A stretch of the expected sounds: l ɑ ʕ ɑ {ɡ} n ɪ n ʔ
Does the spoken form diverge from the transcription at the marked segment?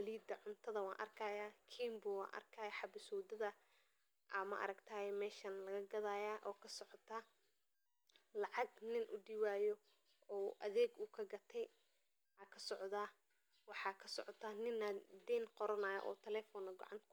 no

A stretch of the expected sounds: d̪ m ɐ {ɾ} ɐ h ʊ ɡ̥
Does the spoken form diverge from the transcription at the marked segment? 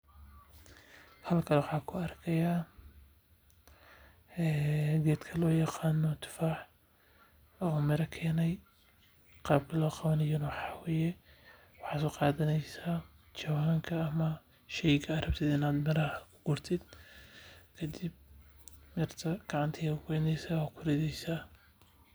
no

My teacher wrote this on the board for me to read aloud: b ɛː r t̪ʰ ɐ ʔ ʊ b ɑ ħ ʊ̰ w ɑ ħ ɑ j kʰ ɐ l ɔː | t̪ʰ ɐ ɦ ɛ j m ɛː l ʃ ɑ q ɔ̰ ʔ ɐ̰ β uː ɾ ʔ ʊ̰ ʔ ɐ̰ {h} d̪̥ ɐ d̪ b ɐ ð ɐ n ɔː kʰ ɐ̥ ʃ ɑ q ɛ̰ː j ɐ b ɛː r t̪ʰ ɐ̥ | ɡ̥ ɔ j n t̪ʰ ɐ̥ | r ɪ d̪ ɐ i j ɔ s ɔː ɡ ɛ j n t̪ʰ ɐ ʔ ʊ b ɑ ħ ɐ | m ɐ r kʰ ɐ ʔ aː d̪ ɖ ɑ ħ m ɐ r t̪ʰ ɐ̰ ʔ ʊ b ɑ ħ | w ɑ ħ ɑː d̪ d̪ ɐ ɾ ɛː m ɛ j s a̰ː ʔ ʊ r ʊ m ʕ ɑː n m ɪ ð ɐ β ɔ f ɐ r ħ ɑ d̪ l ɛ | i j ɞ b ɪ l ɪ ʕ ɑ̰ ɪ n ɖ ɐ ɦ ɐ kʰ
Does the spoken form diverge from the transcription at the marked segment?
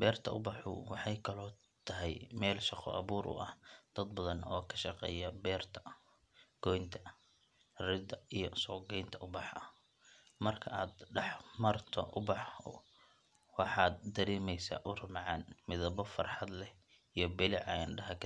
no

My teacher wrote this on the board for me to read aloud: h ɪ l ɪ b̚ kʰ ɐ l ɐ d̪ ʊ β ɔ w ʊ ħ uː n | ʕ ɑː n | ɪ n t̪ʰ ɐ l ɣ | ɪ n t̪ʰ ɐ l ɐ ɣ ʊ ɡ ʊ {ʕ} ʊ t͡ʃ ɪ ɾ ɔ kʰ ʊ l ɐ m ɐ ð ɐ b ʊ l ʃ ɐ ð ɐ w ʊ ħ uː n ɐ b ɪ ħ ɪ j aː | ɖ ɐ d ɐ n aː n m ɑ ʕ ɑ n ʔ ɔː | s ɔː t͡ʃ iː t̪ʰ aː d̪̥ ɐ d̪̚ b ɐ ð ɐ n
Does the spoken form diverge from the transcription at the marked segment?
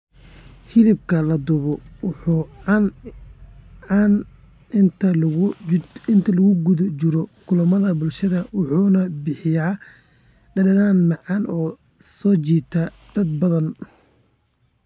yes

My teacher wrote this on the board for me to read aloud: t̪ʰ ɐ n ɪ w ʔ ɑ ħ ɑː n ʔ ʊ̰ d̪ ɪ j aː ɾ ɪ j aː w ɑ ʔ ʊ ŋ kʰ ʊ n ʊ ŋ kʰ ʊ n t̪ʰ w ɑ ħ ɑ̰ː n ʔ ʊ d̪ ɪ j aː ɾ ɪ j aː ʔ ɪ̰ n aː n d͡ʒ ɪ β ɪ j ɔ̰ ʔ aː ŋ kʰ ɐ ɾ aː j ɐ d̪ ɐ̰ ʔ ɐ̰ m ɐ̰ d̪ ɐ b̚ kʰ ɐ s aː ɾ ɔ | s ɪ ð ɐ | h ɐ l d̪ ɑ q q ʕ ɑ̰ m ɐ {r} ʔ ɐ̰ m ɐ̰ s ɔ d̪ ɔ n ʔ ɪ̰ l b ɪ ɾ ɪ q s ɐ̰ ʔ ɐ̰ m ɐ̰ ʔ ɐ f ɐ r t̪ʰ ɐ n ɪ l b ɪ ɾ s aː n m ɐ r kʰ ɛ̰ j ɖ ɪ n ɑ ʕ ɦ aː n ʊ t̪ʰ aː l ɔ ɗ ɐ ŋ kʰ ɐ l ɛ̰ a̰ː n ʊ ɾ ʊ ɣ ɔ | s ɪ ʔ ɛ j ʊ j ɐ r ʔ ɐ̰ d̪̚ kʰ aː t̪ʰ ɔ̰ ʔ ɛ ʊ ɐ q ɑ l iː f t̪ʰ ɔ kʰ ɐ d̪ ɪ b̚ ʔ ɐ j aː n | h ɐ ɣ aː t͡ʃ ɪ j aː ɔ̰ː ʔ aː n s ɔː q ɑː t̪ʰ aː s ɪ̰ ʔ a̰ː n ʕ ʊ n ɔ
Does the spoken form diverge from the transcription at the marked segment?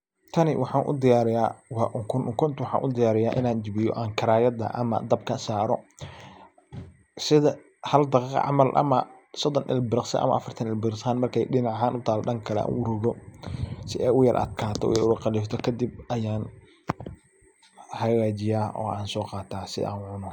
yes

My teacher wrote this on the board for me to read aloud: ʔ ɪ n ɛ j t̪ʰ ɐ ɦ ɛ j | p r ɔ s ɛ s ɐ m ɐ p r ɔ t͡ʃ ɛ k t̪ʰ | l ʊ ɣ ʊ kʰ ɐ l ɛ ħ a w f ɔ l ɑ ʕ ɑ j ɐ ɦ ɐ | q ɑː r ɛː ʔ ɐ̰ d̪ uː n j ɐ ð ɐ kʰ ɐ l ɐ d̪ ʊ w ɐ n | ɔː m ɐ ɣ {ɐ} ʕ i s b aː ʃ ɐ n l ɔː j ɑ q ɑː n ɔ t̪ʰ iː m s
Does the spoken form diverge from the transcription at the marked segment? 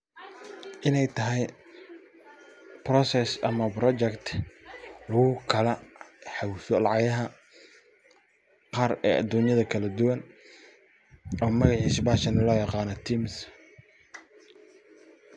yes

